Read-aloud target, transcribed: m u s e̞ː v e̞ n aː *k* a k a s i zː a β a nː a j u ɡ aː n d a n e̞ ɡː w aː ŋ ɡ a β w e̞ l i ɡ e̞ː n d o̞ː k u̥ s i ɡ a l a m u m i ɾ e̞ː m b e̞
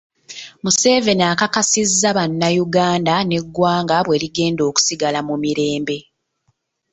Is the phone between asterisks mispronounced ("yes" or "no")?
no